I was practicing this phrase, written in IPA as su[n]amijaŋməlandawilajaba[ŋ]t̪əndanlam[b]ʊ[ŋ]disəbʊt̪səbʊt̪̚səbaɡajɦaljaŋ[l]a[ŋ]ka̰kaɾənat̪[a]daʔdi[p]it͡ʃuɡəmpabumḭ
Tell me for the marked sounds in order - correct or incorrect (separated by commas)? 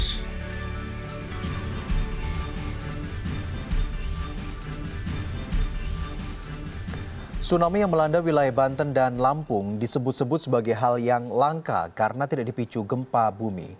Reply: correct, incorrect, incorrect, correct, correct, correct, incorrect, correct